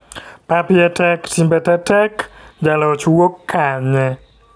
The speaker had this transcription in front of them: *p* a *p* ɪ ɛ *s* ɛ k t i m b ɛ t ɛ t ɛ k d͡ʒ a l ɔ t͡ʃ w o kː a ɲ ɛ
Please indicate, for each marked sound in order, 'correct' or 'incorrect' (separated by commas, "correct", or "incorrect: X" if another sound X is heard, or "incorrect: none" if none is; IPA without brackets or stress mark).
correct, correct, incorrect: t